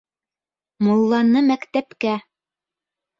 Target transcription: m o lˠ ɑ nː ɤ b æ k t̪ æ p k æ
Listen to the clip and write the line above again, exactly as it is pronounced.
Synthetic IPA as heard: m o lˠː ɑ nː ɤ m æ k t̪ æ p k æ

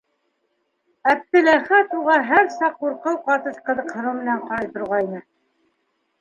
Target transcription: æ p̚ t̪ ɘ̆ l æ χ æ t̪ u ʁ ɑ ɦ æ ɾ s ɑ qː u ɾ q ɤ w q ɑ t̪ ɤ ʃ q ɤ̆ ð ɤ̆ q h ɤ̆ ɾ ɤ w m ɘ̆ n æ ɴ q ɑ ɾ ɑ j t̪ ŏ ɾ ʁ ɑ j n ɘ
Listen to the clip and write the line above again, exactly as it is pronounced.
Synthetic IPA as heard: æ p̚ t̪ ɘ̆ l æ χ æ t̪ u ʁ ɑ ɦ æ ɾ s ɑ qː u ɾ q ɤ w q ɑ t̪ ɤ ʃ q ɤ̆ ð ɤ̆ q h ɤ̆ ɾ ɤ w m ɘ̆ n æ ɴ q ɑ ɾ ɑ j t̪ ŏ ɾ ʁ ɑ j n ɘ

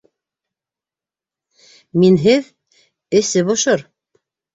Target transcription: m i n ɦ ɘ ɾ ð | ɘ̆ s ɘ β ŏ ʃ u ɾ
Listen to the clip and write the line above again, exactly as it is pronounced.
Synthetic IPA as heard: m i n ɦ ɘ ð | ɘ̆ s ɘ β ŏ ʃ o ɾ

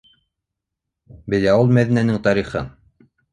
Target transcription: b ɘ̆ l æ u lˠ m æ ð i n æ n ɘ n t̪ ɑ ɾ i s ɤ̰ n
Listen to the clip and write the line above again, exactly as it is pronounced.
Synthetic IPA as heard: b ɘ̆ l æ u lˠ m æ ð i n æ n ɘ ŋ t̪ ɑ ɾ i χ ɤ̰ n

